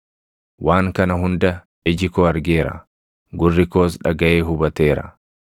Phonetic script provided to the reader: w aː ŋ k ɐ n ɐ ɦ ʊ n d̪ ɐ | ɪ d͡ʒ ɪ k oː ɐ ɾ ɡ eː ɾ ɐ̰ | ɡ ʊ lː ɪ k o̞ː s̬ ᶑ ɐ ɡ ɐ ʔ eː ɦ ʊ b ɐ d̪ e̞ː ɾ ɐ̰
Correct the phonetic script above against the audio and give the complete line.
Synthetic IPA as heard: w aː ŋ k ɐ n ɐ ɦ ʊ n d̪ ɐ | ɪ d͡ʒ ɪ k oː ɐ ɾ ɡ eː ɾ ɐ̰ | ɡ ʊ rː ɪ k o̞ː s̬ ᶑ ɐ ɡ ɐ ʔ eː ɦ ʊ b ɐ t̪ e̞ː ɾ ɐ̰